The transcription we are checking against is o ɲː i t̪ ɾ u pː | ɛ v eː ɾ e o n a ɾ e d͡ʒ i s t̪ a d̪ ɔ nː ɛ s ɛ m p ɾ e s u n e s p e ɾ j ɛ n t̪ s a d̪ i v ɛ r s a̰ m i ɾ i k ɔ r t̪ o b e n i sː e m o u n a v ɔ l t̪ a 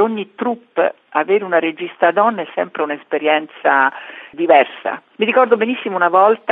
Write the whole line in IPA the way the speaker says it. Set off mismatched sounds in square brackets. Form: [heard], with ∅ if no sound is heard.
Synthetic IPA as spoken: o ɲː i t̪ ɾ u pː | [a] v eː ɾ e [u] n a ɾ e d͡ʒ i s t̪ a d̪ ɔ nː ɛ s ɛ m p ɾ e [∅] u n e s p e ɾ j ɛ n t̪ s a d̪ i v ɛ r s a̰ m i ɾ i k ɔ r [d̪] o b e n i sː [i] m o u n a v ɔ l t̪ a